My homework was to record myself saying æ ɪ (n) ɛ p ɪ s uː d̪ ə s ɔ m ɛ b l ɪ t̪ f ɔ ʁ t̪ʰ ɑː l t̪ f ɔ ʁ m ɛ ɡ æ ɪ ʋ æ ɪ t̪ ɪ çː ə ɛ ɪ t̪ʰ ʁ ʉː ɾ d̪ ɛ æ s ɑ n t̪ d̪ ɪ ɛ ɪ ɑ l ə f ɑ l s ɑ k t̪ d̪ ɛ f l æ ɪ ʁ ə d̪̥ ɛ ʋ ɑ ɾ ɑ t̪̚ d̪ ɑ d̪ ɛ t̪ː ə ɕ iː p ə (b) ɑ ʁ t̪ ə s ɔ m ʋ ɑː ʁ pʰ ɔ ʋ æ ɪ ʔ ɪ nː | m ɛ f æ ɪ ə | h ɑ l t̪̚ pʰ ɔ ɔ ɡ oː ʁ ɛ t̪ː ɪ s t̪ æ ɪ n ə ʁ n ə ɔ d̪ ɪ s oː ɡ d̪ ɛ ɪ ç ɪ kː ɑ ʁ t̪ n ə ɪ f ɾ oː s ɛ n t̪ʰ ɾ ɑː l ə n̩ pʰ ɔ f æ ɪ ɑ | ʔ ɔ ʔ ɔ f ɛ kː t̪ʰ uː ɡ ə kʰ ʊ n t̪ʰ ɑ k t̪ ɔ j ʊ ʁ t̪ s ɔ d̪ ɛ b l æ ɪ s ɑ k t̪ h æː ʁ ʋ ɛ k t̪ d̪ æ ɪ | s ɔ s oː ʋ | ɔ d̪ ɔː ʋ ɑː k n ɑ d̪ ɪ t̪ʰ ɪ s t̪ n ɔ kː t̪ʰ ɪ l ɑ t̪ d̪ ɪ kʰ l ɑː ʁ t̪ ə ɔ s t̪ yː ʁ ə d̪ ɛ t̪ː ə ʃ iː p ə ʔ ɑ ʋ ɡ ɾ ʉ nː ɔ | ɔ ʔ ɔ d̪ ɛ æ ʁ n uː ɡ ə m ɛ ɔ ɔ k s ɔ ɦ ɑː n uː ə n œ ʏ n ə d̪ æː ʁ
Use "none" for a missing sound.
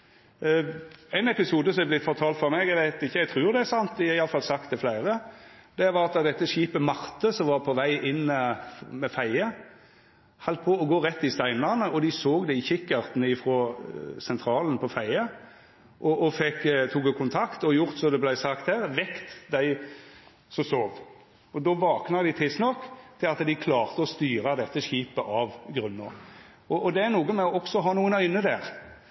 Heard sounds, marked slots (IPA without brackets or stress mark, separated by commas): n, m